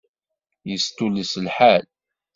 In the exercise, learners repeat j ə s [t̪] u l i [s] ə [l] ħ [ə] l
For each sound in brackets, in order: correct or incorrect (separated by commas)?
correct, correct, correct, incorrect